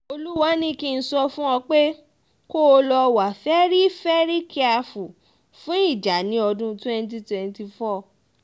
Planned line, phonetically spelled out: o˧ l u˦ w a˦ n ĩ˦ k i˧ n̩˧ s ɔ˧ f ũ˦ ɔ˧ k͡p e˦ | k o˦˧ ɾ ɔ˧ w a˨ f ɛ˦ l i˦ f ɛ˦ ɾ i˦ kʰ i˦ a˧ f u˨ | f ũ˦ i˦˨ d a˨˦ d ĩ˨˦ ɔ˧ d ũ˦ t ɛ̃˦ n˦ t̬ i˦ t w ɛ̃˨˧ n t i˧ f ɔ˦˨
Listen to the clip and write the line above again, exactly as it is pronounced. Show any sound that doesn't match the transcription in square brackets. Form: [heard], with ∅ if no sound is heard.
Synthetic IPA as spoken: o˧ l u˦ w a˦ n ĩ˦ k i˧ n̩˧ s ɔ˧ f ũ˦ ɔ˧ k͡p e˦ | k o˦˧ [l] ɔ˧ w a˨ f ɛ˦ [ɾ] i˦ f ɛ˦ ɾ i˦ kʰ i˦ a˧ f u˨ | f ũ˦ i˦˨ [d͡ʒ] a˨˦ [n] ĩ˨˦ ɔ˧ d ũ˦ t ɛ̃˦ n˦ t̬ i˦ t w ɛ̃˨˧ n t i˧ f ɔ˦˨